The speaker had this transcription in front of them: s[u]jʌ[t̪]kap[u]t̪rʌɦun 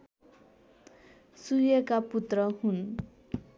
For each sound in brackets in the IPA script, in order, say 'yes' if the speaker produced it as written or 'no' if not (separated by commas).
yes, no, yes